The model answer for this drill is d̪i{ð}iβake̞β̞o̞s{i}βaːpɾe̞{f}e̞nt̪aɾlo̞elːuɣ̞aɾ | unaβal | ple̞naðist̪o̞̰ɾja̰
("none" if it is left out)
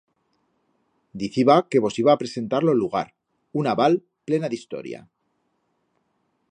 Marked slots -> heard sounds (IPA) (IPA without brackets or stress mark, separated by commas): θ, i, s